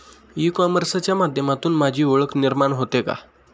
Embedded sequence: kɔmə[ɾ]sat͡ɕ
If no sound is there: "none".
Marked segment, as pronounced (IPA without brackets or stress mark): ɾ